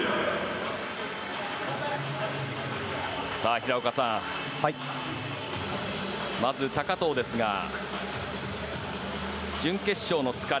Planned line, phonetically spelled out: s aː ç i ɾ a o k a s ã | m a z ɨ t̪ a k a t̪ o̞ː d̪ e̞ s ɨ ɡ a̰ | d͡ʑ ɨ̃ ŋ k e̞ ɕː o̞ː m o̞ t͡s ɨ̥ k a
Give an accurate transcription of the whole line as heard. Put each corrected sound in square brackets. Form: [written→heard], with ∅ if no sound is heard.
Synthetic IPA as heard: s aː ç i ɾ a o k a s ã | m a z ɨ t̪ a k a t̪ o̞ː d̪ e̞ s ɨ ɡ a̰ | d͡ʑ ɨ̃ ŋ k e̞ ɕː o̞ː [m→n] o̞ t͡s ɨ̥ k a

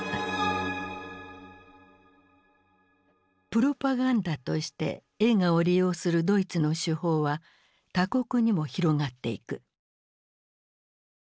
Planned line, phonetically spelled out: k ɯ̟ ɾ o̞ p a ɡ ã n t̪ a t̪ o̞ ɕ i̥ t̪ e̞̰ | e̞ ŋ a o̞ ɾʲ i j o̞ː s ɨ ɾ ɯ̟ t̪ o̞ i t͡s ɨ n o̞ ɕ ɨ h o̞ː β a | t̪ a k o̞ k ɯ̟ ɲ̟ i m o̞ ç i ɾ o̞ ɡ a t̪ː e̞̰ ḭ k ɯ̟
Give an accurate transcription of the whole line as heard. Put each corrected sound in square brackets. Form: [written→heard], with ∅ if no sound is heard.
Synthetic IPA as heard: [k→p] ɯ̟ ɾ o̞ p a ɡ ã n [t̪→d̪] a t̪ o̞ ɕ i̥ t̪ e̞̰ | e̞ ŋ a o̞ ɾʲ i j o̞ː s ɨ ɾ ɯ̟ [t̪→d̪] o̞ i t͡s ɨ n o̞ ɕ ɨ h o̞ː β a | t̪ a k o̞ k ɯ̟ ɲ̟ i m o̞ ç i ɾ o̞ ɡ a t̪ː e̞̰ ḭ k ɯ̟

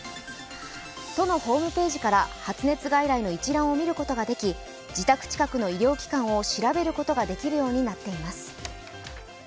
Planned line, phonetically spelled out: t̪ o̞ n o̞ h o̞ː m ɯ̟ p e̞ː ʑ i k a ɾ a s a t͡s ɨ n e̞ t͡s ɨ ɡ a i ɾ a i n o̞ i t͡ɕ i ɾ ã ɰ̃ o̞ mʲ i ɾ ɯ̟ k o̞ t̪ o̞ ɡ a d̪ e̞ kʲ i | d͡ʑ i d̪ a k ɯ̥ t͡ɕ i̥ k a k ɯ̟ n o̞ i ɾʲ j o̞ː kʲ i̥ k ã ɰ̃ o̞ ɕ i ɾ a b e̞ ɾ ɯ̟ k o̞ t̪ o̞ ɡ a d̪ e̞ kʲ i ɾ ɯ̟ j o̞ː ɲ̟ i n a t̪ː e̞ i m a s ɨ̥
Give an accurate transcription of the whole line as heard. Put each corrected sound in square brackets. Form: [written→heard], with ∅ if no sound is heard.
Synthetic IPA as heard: t̪ o̞ n o̞ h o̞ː m ɯ̟ p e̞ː ʑ i k a ɾ a [s→h] a t͡s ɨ n e̞ t͡s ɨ ɡ a i ɾ a i n o̞ i t͡ɕ i ɾ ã ɰ̃ o̞ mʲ i ɾ ɯ̟ k o̞ t̪ o̞ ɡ a d̪ e̞ kʲ i | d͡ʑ i [d̪→t̪] a k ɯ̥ t͡ɕ i̥ k a k ɯ̟ n o̞ i ɾʲ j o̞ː kʲ i̥ k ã ɰ̃ o̞ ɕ i ɾ a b e̞ ɾ ɯ̟ k o̞ t̪ o̞ ɡ a d̪ e̞ kʲ i ɾ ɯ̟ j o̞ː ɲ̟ i n a t̪ː e̞ i m a s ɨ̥

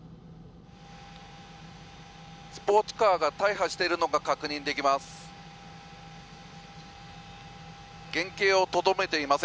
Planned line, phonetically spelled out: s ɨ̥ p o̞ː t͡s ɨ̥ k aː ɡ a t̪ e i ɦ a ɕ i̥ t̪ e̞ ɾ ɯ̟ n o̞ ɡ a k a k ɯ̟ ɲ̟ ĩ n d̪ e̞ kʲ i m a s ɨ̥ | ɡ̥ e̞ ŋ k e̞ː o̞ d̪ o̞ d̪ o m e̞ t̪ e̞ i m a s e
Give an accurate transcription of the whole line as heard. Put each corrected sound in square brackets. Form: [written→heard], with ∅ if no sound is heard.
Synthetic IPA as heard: s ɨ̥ p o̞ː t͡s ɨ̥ k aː ɡ a t̪ [e→a] i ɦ a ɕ i̥ t̪ e̞ ɾ ɯ̟ n o̞ ɡ a k a k ɯ̟ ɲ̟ ĩ n d̪ e̞ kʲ i m a s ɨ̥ | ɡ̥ [e̞→ẽ̞] ŋ k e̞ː o̞ [d̪→t̪] o̞ d̪ o m e̞ t̪ e̞ i m a s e

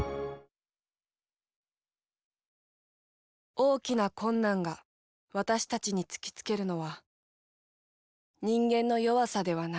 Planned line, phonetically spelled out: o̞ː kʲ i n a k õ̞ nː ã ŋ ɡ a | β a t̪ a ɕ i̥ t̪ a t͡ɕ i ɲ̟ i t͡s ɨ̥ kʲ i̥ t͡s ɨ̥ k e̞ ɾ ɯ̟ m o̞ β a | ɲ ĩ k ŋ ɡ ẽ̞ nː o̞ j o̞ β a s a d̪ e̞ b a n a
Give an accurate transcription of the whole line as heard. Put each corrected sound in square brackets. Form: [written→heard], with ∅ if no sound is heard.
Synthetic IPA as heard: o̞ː kʲ i n a k õ̞ nː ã ŋ ɡ a | β a t̪ a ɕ i̥ t̪ a t͡ɕ i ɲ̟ i t͡s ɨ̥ kʲ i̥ t͡s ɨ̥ k e̞ ɾ ɯ̟ [m→n] o̞ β a | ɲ ĩ [k→∅] ŋ ɡ ẽ̞ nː o̞ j o̞ β a s a d̪ e̞ [b→β] a n a

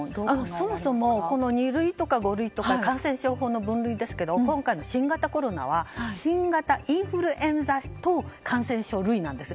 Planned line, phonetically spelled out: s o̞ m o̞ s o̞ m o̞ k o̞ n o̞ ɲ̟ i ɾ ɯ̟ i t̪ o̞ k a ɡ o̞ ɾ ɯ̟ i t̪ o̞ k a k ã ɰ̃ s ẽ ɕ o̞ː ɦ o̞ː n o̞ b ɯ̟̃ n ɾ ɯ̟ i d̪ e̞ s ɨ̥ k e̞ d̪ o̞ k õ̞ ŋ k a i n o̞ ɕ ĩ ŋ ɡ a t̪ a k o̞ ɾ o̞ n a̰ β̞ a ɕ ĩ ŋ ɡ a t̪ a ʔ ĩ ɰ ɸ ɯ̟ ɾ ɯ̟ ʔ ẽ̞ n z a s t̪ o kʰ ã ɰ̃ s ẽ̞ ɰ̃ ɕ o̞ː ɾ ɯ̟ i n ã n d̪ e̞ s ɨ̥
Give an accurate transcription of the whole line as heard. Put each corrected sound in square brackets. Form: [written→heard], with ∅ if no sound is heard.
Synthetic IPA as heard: s o̞ m o̞ s o̞ m o̞ k o̞ n o̞ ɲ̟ i ɾ ɯ̟ i t̪ o̞ k a ɡ o̞ ɾ ɯ̟ i t̪ o̞ k a k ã ɰ̃ s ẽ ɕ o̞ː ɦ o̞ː n o̞ b ɯ̟̃ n ɾ ɯ̟ i d̪ e̞ s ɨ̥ k e̞ d̪ o̞ k õ̞ ŋ k a i n o̞ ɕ ĩ ŋ ɡ a t̪ a k o̞ ɾ o̞ n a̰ β̞ a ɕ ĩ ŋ ɡ a t̪ a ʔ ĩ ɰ ɸ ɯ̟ ɾ ɯ̟ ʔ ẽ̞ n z a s t̪ o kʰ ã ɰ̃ s ẽ̞ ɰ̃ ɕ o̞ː ɾ ɯ̟ i n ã n d̪ e̞ s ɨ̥

